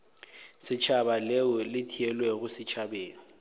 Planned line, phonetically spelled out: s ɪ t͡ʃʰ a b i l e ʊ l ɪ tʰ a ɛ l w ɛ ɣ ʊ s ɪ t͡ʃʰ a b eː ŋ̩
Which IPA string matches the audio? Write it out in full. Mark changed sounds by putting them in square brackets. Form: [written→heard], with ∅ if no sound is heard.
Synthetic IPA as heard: s ɪ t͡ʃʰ a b [i→a] l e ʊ l ɪ tʰ [a→i] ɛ l w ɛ ɣ ʊ s ɪ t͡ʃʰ a b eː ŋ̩